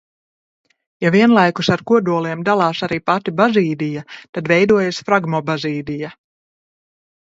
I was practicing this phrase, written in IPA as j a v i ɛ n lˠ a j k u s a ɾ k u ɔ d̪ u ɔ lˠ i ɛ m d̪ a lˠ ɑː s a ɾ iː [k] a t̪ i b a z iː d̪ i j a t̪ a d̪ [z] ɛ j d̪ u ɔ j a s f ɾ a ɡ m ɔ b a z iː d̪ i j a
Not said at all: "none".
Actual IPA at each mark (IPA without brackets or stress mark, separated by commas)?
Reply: p, v